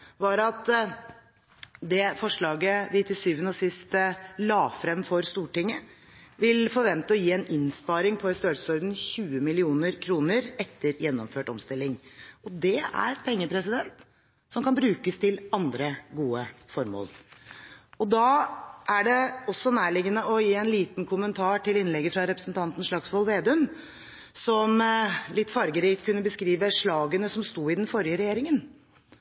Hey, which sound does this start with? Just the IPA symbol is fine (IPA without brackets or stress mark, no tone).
ʋ